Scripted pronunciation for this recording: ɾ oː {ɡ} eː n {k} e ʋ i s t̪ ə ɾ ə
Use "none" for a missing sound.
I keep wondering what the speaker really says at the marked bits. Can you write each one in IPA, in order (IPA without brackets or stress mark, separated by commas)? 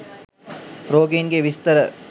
ɡ, ɡ